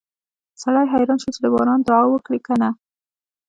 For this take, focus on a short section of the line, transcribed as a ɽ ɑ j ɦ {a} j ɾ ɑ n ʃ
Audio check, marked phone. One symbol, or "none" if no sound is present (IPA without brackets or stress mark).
a